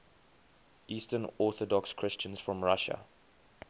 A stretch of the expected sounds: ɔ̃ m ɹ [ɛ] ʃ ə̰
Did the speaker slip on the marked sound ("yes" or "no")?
yes